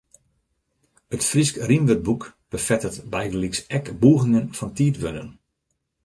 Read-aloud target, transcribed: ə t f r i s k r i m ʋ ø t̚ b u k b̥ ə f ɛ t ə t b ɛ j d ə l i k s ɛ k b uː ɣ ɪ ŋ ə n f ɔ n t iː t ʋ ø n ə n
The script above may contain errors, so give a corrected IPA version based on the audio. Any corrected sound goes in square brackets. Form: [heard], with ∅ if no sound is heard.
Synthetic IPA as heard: ə t f r i s k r i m ʋ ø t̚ b u k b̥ ə f ɛ t ə t b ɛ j d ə l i k s ɛ k b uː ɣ ɪ ŋ ə n f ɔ n t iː t ʋ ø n ə n